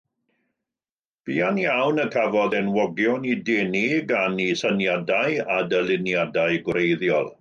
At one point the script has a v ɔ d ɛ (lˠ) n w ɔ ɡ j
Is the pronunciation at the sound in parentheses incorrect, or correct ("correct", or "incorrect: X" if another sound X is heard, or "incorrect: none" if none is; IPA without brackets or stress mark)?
incorrect: none